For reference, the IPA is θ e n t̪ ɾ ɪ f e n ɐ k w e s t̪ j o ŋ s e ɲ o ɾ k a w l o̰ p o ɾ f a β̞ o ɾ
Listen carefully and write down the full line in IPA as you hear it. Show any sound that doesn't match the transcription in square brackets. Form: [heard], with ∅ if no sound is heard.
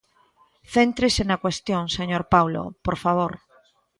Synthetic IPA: θ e n t̪ ɾ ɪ [s] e n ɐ k w e s t̪ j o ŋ s e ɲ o ɾ [p] a w l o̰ p o ɾ f a β̞ o ɾ